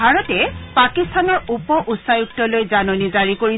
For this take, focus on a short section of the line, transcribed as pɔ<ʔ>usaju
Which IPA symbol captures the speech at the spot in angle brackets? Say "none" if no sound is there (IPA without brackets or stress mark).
ʔ